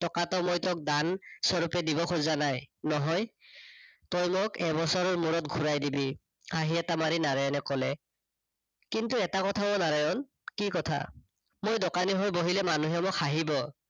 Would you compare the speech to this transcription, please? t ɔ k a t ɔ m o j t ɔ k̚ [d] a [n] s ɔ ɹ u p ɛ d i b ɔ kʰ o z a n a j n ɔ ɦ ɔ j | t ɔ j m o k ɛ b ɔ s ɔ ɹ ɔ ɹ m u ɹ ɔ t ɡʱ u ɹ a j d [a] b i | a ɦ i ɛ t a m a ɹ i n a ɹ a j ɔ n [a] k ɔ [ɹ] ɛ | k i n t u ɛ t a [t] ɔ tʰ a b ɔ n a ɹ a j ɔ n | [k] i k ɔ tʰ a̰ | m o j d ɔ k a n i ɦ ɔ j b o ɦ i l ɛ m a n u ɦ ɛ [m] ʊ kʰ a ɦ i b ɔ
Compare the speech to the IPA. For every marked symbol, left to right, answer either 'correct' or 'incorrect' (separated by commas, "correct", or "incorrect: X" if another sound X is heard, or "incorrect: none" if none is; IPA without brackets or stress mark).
correct, correct, incorrect: i, incorrect: ɛ, incorrect: l, incorrect: k, correct, correct